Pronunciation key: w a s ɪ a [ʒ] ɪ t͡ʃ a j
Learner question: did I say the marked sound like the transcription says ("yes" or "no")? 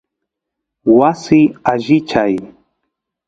yes